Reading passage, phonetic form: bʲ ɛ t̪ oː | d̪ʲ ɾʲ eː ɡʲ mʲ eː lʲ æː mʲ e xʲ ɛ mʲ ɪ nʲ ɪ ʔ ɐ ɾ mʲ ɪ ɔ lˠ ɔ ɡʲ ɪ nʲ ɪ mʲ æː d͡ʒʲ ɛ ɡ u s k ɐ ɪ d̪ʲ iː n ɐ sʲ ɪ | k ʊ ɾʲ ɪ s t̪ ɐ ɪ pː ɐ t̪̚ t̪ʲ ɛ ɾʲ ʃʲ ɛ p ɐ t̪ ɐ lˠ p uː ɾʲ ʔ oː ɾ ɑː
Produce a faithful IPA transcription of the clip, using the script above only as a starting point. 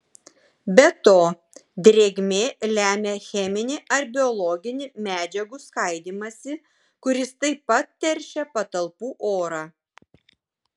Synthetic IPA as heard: bʲ ɛ t̪ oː | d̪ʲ ɾʲ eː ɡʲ mʲ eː lʲ æː mʲ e xʲ ɛ mʲ ɪ nʲ ɪ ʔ ɐ ɾ bʲ ɪ ɔ lˠ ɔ ɡʲ ɪ nʲ ɪ mʲ æː d͡ʒʲ ɛ ɡ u s k ɐ ɪ d̪ʲ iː m ɐ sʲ ɪ | k ʊ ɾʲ ɪ s t̪ ɐ ɪ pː ɐ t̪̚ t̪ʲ ɛ ɾʲ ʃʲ ɛ p ɐ t̪ ɐ lˠ p uː ʔ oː ɾ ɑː